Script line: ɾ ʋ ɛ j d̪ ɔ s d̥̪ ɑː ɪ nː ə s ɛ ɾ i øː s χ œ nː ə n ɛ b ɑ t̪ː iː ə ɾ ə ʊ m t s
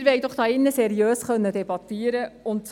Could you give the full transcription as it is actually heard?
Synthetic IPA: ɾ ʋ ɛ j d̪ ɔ χ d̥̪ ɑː ɪ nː ə s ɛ ɾ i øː s χ œ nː ə d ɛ b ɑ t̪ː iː ə ɾ ə ʊ n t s

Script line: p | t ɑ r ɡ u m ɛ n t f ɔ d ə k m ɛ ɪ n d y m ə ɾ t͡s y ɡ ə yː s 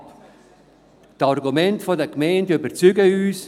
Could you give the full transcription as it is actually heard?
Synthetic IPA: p | t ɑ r ɡ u m ɛ n t f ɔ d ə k m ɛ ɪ n d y b ə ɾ t͡s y ɡ ə yː s

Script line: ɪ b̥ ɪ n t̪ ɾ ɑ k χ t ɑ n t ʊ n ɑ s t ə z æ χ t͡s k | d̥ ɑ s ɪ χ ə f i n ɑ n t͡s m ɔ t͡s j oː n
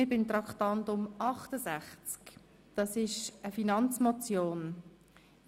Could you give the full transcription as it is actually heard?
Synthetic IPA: ɪ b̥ ɪ n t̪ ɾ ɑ k χ t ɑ n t ʊ m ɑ χ t ə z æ χ t͡s k | d̥ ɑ s ɪ ʃ ə f i n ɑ n t͡s m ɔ t͡s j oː n

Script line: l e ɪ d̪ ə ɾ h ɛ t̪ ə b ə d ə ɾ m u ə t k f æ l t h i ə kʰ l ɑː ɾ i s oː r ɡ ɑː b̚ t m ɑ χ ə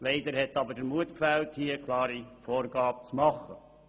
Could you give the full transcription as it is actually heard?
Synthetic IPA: l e ɪ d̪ ə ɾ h ɛ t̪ ɑ b ə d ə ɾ m u ə t k f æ l t h i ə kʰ l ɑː ɾ i f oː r ɡ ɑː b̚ t͡s m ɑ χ ə

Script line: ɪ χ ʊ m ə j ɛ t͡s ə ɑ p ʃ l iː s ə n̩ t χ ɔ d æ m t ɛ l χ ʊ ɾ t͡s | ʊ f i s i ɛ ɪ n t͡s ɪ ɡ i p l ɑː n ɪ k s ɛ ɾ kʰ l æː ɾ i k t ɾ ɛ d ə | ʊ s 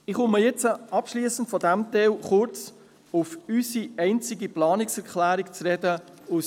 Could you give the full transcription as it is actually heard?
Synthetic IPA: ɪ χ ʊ m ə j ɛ t͡s ə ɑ p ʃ l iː s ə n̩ t f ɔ d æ m t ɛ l χ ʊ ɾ t͡s | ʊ f y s i ɛ ɪ n t͡s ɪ ɡ i p l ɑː n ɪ k s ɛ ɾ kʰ l æː ɾ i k t͡s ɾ ɛ d ə | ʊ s

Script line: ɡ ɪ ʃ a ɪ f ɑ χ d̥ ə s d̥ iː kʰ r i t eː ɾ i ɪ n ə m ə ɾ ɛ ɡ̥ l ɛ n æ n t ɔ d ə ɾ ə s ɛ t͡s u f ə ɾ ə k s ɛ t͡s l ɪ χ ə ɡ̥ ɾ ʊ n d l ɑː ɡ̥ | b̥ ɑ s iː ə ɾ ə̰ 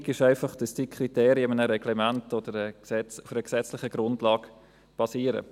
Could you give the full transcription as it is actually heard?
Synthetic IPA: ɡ ɪ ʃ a ɪ f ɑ χ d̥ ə s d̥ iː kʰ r i t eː ɾ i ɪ m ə n ə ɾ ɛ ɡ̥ l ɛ m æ n t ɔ d ə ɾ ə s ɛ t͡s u f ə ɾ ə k s ɛ t͡s l ɪ χ ə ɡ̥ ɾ ʊ n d l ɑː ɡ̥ | b̥ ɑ s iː ə ɾ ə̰

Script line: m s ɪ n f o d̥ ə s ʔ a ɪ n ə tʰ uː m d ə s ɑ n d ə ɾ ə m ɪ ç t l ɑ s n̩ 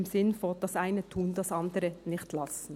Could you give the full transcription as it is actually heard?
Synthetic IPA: m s ɪ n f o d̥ ɑ s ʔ a ɪ n ə tʰ uː n d ɑ s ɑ n d ə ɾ ə n ɪ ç t l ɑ s n̩

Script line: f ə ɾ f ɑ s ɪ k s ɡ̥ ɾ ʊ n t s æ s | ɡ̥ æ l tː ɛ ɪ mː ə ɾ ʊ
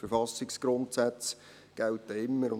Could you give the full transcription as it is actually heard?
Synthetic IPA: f ə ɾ f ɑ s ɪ k s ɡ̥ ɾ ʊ n t s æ t͡s | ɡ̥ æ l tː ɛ ɪ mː ə ɾ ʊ

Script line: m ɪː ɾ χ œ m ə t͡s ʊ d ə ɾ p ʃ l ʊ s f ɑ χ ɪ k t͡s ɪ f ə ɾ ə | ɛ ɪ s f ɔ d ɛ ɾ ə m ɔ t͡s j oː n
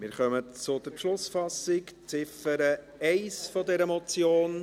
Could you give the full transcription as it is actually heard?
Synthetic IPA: m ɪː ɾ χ œ m ə t͡s ʊ d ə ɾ p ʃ l ʊ s f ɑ s ɪ k t͡s ɪ f ə ɾ ə | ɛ ɪ s f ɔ d ɛ ɾ ə m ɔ t͡s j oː n

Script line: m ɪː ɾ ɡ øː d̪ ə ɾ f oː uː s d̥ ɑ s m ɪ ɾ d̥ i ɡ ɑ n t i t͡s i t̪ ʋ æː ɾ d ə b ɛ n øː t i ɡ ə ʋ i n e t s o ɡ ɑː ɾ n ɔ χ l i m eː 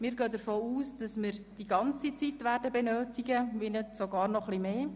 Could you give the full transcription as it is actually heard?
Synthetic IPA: m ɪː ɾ ɡ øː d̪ ə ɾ f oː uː s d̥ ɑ s m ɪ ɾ d̥ i ɡ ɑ n t͡s i t͡s i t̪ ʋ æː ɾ d ə b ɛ n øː t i ɡ ə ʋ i n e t s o ɡ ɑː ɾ n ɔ χ l i m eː

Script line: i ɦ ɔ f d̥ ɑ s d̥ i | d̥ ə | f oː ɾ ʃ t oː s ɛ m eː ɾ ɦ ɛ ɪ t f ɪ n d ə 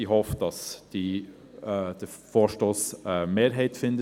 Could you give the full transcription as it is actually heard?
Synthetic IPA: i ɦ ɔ f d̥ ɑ s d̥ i | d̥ ə | f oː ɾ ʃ t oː s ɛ m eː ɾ ɦ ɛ ɪ t f ɪ n d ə

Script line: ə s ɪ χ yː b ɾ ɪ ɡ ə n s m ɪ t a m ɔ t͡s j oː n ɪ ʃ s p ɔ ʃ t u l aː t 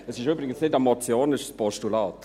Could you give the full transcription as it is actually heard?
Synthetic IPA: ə s ɪ ʃ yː b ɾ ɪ ɡ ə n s n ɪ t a m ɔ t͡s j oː n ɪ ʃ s p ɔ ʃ t u l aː t

